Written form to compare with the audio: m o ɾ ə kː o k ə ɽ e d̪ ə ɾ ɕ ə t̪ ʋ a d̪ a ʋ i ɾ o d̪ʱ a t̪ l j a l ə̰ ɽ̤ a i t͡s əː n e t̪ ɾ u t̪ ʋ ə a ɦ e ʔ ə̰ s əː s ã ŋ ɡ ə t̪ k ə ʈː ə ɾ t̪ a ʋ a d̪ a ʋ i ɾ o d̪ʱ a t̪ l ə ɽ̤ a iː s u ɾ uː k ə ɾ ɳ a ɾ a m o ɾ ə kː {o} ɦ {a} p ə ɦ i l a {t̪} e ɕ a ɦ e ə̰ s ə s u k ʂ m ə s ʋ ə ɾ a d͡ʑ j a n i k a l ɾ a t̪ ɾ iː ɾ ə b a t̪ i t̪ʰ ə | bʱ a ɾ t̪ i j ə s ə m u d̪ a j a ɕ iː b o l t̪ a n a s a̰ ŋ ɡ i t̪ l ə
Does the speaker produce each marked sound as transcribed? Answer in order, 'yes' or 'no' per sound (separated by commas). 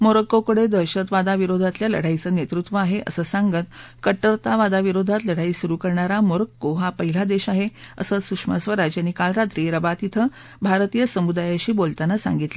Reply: yes, yes, no